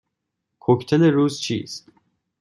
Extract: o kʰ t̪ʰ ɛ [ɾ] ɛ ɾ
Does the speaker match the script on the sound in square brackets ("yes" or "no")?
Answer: no